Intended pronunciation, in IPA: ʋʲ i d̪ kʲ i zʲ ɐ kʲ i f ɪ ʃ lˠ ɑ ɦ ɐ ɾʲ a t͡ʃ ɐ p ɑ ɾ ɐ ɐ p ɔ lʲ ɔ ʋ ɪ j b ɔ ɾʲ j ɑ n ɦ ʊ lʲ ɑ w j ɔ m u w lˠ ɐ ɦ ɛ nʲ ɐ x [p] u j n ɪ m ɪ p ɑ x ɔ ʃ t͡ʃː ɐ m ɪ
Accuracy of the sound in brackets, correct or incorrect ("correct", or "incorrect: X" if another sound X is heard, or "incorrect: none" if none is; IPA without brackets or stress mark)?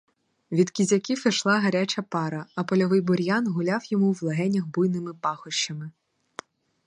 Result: incorrect: b